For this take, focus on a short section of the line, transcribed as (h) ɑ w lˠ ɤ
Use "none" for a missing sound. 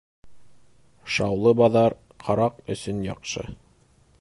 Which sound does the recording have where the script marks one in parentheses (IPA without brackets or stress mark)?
ʃ